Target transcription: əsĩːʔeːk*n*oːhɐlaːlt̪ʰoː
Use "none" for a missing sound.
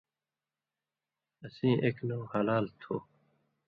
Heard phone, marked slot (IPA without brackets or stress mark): n